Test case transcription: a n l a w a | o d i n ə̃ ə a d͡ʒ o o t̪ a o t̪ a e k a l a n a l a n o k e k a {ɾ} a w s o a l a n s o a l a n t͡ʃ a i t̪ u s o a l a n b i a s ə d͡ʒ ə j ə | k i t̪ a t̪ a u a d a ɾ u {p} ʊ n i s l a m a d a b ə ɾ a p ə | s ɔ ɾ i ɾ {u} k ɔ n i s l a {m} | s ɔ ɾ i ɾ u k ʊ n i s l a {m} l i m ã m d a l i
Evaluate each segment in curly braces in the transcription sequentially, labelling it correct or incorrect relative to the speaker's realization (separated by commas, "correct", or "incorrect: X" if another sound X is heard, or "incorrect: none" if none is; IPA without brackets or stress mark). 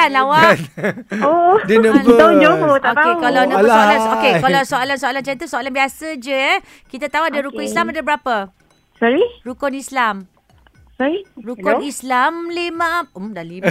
incorrect: l, incorrect: k, correct, correct, correct